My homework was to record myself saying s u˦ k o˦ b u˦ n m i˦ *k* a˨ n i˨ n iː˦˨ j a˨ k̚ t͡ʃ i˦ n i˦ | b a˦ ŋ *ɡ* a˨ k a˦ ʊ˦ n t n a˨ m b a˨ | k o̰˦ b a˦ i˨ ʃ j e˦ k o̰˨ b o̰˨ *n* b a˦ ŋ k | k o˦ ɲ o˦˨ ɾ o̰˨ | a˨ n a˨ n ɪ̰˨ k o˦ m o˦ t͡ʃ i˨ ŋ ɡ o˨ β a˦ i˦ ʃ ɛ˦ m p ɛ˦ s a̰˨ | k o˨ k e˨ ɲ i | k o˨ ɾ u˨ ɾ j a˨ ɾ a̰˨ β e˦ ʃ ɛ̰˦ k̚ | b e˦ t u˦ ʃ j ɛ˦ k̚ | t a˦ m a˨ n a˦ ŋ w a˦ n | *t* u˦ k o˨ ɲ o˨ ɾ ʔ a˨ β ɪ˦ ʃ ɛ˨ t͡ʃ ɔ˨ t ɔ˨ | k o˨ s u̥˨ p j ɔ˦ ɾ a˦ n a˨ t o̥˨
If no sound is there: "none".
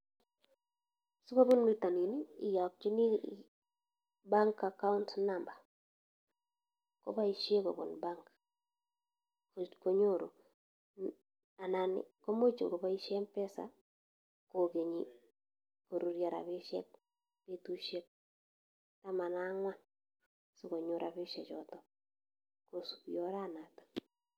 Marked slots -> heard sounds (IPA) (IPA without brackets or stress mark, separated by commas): t, k, n, s